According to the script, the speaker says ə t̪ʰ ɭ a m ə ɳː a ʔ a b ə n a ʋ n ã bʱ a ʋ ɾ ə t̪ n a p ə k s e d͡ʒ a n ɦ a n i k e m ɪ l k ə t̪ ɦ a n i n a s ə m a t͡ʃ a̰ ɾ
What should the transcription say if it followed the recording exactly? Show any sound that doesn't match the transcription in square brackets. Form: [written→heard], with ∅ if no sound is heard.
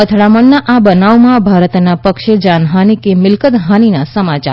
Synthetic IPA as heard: ə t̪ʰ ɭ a m ə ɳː a ʔ a b ə n a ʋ [n→m] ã bʱ a [ʋ→∅] ɾ ə t̪ n a p ə k [s→ʃ] e d͡ʒ a n ɦ a n i k e m ɪ l k ə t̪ ɦ a n i n a s ə m a t͡ʃ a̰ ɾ